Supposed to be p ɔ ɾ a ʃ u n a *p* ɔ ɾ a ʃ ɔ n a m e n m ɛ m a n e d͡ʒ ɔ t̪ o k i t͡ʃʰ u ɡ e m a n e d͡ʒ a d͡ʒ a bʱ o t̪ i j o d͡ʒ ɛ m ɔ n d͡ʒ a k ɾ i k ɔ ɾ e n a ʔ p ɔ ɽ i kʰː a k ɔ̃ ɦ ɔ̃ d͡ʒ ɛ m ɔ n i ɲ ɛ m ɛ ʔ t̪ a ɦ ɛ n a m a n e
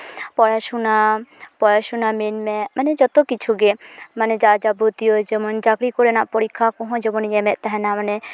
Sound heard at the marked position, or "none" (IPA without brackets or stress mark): p